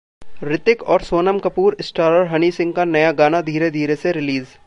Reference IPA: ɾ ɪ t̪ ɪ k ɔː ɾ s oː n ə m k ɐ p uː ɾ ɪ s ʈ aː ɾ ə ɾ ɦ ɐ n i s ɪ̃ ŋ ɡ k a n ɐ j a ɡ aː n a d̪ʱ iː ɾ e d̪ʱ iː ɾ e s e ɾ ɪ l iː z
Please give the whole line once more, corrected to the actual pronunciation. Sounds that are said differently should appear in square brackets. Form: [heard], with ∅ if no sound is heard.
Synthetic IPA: ɾ ɪ t̪ ɪ k ɔː ɾ s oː n ə m k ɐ p uː ɾ ɪ s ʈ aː ɾ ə ɾ ɦ ɐ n i s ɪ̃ ŋ ɡ k a n ɐ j a ɡ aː n a d̪ʱ iː ɾ e d̪ʱ iː ɾ e s e ɾ ɪ l iː z